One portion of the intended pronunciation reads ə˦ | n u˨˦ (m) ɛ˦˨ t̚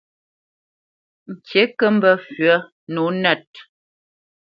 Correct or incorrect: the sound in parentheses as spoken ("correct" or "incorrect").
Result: incorrect